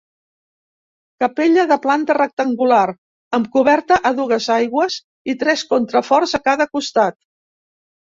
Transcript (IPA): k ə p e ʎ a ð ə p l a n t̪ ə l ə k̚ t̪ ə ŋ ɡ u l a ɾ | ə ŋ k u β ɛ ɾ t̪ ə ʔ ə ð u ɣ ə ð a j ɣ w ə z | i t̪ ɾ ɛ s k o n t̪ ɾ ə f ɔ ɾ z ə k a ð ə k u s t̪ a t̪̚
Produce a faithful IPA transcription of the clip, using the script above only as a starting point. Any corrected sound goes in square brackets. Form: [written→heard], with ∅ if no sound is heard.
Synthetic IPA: k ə p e ʎ [a→ə] ð ə p l a n t̪ ə [l→r] ə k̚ t̪ ə ŋ ɡ u l a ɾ | ə [ŋ→m] k u β ɛ ɾ t̪ ə ʔ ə ð u ɣ ə [ð→z] a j ɣ w ə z | i t̪ ɾ ɛ s k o n t̪ ɾ ə f ɔ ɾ z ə k a ð ə k u s t̪ a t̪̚